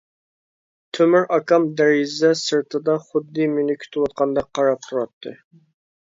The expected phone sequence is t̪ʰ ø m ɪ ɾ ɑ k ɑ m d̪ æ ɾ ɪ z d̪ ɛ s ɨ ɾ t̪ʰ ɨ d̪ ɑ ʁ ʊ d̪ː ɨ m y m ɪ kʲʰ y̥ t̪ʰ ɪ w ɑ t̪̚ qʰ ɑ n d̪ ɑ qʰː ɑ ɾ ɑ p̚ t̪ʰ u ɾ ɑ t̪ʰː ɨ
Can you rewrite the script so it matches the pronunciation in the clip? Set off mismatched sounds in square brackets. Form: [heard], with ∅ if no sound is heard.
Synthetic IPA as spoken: t̪ʰ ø m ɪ ɾ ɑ k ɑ m d̪ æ ɾ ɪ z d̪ ɛ s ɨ ɾ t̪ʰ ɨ d̪ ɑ [χ] ʊ d̪ː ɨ m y [n] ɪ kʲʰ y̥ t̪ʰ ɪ w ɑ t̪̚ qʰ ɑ n d̪ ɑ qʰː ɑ ɾ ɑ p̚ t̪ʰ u ɾ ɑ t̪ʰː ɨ